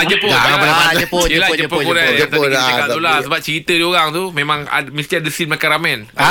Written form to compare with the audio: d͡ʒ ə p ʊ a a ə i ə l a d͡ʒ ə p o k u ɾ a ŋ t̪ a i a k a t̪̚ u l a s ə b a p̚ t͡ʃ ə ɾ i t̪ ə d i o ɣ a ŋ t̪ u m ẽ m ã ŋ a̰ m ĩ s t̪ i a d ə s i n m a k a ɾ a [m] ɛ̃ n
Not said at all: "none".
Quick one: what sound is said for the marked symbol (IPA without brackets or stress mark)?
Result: m